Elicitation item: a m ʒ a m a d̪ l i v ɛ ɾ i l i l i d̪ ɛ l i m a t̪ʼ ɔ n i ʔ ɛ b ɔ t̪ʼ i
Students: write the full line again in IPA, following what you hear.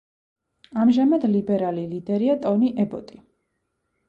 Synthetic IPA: a m ʒ a m a d̪ l i b ɛ ɾ a l i l i d̪ ɛ ɾ i a t̪ʼ ɔ n i ʔ ɛ b ɔ t̪ʼ i